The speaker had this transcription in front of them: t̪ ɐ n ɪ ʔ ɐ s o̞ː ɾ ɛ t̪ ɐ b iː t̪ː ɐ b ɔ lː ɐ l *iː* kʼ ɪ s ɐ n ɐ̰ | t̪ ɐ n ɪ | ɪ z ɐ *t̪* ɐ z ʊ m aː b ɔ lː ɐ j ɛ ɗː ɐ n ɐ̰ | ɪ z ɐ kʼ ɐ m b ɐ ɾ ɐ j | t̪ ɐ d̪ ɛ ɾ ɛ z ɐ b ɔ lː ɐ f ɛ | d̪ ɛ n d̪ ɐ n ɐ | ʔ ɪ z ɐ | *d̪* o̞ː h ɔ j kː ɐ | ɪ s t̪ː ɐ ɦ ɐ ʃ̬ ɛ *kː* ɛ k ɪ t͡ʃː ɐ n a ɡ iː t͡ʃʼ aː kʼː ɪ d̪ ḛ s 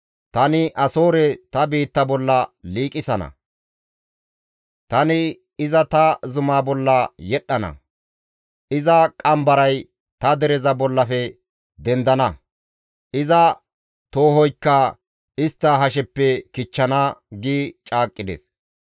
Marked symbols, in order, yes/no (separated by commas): yes, yes, no, no